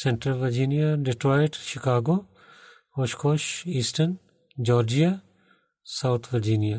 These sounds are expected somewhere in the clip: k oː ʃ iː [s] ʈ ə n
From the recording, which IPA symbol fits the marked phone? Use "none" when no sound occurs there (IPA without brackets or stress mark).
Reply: s